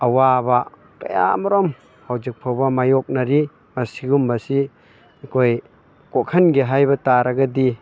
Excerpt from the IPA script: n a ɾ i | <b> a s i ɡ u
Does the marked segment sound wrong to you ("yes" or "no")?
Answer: yes